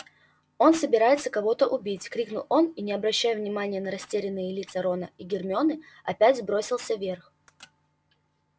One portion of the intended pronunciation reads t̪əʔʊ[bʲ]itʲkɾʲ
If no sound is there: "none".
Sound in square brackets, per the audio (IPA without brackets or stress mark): bʲ